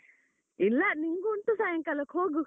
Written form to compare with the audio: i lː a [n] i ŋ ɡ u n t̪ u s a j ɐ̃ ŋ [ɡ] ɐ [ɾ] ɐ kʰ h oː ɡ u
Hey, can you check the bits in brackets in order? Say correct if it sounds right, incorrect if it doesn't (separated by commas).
correct, incorrect, incorrect